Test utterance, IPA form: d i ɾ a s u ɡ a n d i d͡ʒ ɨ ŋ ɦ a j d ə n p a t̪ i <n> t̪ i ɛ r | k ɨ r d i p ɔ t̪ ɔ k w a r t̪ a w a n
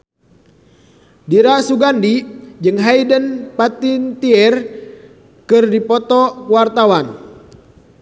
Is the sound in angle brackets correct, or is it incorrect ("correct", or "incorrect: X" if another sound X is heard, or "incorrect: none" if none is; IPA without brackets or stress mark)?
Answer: correct